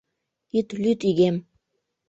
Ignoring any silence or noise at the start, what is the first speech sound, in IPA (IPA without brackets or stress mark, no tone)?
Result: i